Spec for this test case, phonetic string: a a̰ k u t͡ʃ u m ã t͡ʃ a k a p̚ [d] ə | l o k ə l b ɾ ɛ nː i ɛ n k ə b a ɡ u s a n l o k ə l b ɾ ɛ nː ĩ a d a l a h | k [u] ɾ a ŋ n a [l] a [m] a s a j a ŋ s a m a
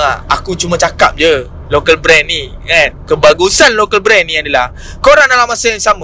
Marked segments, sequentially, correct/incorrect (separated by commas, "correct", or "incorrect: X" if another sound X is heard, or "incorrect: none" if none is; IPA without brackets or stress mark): incorrect: d͡ʒ, incorrect: o, correct, correct